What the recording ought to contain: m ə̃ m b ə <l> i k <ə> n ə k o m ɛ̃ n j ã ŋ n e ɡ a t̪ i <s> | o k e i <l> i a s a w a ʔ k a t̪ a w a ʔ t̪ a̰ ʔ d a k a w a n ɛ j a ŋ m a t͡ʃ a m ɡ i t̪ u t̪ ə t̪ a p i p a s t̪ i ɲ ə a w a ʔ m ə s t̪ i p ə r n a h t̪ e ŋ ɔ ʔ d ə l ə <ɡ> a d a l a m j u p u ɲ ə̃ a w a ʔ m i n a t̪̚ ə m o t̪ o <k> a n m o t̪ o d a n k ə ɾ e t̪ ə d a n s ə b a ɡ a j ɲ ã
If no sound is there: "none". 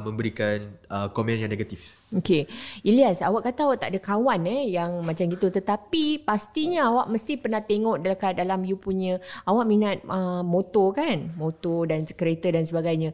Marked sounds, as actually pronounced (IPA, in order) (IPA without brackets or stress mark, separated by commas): ɾ, a, f, l, k, k